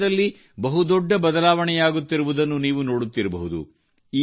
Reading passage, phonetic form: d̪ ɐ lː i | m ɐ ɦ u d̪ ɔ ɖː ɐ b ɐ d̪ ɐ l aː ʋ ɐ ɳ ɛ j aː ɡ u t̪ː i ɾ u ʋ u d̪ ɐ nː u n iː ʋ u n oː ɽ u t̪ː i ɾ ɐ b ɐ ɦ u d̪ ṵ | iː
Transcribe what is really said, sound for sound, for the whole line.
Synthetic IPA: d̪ ɐ lː i | b ɐ ɦ u d̪ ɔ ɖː ɐ b ɐ d̪ ɐ l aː ʋ ɐ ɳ ɛ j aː ɡ u t̪ː i ɾ u ʋ u d̪ ɐ nː u n iː ʋ u n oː ɽ u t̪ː i ɾ ɐ b ɐ ɦ u d̪ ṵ | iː